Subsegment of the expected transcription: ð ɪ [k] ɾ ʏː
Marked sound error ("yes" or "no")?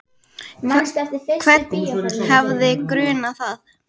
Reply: no